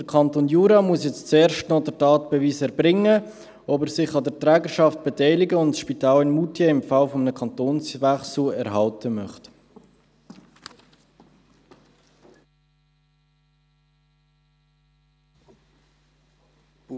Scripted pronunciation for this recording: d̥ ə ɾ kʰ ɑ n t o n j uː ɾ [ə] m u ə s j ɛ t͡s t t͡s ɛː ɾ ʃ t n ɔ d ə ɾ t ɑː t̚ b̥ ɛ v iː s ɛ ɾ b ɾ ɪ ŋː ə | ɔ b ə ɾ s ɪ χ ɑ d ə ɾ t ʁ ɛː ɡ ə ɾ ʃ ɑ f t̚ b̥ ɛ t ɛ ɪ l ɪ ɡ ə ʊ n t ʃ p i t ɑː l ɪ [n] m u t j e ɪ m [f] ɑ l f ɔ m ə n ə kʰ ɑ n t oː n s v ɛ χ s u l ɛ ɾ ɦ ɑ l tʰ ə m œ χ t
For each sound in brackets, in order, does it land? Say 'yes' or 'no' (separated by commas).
no, yes, yes